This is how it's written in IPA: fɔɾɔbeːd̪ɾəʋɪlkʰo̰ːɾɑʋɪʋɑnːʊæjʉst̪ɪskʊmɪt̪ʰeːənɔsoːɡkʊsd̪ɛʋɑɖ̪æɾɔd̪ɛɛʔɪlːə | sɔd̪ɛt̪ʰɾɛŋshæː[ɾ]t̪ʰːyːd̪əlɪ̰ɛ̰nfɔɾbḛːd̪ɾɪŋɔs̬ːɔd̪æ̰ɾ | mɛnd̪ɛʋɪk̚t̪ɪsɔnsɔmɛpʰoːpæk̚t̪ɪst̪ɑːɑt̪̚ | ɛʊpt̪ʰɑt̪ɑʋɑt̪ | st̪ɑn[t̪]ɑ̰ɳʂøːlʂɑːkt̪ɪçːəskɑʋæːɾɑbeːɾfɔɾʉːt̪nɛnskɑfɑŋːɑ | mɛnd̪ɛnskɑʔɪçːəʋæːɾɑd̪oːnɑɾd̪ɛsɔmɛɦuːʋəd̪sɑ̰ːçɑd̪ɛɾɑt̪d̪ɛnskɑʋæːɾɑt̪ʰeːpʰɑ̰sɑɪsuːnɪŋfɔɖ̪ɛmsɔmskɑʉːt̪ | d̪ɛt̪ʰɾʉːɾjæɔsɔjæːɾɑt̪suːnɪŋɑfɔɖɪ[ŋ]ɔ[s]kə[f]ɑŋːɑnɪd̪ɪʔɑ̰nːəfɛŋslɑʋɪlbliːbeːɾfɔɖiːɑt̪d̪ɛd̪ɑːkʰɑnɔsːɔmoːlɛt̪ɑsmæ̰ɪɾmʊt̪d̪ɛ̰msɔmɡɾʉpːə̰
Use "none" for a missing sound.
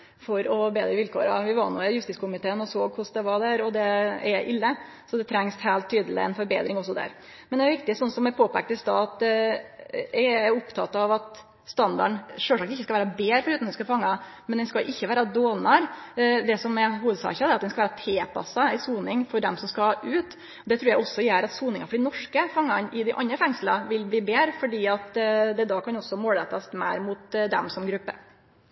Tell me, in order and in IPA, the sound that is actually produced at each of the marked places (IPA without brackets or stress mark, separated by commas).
l, d̪, n, ʂ, f